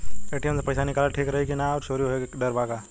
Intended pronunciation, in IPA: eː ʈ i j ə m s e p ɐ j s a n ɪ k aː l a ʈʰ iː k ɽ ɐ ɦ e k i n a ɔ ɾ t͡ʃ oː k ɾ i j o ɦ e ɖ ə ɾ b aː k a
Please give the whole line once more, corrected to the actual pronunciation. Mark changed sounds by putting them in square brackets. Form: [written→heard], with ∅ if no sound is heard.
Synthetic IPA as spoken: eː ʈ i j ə m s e p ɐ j s a n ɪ k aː l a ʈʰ iː k [ɽ→ɾ] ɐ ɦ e k i n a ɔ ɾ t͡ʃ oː [k→∅] ɾ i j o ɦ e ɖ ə ɾ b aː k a